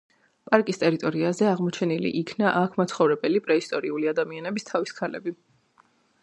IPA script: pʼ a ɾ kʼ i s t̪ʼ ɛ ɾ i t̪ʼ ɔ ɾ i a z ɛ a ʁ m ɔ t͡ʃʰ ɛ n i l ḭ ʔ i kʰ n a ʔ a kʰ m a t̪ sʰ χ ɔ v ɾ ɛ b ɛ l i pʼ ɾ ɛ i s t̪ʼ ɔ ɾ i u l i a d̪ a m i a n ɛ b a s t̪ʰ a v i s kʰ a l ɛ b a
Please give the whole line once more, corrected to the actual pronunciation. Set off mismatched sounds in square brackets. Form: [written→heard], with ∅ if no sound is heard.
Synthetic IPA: pʼ a ɾ kʼ i s t̪ʼ ɛ ɾ i t̪ʼ ɔ ɾ i a z ɛ a ʁ m ɔ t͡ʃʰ ɛ n i l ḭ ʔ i kʰ n a ʔ a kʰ m a t̪ sʰ χ ɔ v ɾ ɛ b ɛ l i pʼ ɾ ɛ i s t̪ʼ ɔ ɾ i u l i a d̪ a m i a n ɛ b [a→i] s t̪ʰ a v i s kʰ a l ɛ b [a→i]